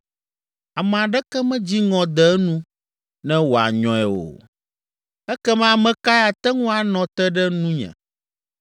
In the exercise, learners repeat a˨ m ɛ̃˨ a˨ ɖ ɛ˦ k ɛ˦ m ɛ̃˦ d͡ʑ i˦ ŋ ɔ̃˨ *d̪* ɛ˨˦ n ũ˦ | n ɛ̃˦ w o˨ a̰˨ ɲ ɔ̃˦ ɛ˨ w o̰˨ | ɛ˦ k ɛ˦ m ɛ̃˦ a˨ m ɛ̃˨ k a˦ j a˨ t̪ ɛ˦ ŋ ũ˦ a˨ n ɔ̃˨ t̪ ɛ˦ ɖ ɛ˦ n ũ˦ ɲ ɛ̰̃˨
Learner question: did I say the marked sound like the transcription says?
yes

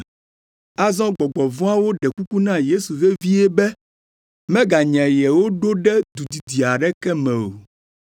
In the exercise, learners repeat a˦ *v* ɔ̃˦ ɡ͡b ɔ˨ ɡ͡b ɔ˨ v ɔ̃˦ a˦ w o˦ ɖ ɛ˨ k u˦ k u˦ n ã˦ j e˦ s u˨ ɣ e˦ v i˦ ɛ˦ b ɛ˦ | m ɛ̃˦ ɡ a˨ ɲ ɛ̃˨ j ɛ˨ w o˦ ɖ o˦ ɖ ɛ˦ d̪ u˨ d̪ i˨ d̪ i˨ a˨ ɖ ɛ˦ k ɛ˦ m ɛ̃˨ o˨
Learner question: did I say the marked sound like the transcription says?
no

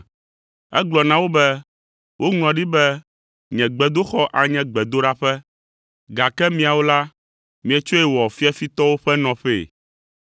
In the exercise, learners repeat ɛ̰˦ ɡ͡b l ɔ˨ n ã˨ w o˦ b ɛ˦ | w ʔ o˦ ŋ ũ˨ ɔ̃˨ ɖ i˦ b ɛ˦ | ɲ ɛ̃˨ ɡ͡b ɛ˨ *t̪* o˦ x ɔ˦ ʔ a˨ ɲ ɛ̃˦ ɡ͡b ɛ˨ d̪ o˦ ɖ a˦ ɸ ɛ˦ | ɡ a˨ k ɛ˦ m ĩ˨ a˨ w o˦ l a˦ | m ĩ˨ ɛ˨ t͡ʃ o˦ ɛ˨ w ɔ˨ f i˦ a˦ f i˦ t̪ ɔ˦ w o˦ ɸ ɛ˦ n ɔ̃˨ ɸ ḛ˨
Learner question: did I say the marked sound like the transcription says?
no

